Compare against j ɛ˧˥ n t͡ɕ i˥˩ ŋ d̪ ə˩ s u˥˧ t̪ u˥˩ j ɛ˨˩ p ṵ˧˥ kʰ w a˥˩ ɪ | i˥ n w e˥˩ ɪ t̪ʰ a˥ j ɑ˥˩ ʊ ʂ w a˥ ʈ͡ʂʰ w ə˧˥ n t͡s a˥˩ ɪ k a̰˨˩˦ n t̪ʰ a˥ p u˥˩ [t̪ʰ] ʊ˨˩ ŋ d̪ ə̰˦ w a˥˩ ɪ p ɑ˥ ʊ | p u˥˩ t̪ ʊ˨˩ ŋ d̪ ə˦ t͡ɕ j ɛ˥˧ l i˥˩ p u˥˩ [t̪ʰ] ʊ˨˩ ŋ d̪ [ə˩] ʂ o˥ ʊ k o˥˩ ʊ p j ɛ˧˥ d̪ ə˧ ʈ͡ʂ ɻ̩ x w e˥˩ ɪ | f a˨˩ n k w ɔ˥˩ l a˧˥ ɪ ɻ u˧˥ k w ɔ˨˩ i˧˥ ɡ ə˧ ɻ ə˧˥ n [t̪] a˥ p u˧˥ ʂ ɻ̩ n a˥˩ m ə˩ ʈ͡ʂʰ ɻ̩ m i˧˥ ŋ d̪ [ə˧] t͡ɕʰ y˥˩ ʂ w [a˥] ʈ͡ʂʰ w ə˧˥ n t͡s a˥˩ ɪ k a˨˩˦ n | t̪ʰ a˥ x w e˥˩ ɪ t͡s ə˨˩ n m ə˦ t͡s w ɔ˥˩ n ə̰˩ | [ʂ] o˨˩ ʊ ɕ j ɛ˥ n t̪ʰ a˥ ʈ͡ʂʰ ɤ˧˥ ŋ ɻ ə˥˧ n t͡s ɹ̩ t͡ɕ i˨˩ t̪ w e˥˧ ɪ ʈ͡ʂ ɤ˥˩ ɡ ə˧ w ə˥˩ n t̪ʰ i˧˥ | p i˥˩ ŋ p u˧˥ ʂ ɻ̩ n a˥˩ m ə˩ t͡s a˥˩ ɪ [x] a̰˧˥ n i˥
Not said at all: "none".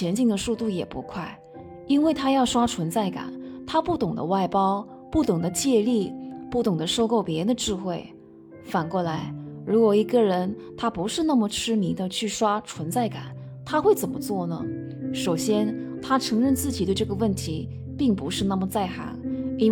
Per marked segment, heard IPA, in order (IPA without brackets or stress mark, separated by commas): t̪, t̪, ə˦, t̪ʰ, ə˧, a˥, ʂ, x